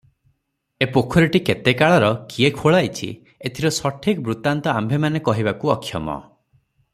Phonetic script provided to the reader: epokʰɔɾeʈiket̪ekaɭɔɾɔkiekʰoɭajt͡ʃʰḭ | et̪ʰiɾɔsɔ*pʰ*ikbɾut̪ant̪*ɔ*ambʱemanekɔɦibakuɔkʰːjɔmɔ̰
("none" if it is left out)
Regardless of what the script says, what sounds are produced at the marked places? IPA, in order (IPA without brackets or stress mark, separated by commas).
ʈʰ, ɔ